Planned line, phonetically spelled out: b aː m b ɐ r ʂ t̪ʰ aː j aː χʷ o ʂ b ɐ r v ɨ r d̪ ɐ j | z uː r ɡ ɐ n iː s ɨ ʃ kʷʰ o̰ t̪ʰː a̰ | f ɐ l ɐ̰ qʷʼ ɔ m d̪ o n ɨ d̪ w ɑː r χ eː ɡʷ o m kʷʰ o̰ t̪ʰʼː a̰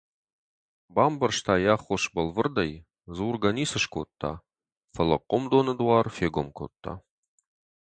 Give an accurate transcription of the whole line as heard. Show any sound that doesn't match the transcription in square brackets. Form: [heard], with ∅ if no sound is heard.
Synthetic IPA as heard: b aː m b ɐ r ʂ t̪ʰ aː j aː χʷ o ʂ b ɐ [l] v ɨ r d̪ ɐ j | z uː r ɡ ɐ n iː s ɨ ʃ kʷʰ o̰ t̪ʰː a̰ | f ɐ l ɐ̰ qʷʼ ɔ m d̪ o n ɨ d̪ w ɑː r [f] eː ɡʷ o m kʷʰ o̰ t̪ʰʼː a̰